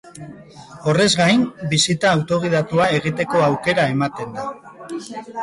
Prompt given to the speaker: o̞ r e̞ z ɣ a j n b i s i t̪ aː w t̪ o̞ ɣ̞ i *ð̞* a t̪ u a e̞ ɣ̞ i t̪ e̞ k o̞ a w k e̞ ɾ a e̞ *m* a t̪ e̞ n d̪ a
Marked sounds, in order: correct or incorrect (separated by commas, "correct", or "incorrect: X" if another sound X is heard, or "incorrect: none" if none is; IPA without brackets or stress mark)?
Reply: correct, correct